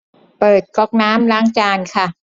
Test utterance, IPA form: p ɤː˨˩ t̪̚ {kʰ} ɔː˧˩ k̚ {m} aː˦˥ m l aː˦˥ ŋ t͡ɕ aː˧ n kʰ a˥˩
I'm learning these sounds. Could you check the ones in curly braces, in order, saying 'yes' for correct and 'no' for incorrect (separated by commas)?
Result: no, no